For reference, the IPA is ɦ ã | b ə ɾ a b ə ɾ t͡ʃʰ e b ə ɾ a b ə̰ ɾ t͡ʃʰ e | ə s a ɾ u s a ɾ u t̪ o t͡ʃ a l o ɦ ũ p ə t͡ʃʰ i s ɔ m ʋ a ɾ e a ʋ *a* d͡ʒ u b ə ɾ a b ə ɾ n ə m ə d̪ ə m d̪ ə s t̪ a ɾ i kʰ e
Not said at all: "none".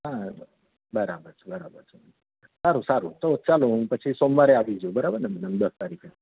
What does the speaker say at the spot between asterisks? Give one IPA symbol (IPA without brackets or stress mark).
i